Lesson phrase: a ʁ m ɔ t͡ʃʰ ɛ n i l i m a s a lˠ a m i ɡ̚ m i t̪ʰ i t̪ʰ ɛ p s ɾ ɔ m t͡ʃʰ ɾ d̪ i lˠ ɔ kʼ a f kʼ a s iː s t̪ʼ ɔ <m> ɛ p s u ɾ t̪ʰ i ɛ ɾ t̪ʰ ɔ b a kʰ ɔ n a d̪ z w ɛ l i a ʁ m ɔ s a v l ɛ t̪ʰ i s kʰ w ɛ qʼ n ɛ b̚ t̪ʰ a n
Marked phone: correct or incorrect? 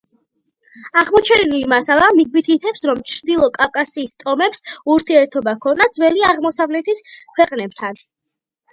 correct